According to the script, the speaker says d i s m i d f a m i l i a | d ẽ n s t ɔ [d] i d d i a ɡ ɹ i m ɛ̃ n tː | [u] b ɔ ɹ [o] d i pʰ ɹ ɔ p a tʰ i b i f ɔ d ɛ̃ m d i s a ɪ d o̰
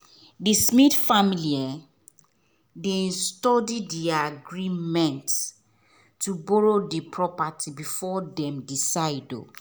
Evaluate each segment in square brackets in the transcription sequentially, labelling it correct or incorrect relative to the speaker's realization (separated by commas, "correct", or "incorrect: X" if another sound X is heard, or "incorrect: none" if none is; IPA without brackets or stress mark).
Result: correct, correct, correct